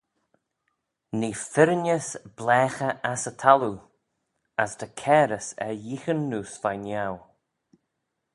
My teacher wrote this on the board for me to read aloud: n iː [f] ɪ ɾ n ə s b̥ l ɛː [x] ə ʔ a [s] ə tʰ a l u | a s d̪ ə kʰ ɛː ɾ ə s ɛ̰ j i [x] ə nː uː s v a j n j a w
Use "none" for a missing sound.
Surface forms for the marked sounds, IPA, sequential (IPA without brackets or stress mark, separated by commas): f, x, s, x